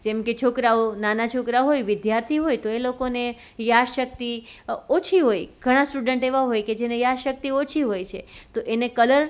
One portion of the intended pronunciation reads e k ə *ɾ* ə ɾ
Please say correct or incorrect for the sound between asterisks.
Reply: incorrect